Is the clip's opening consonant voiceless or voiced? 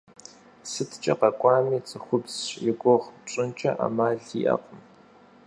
voiceless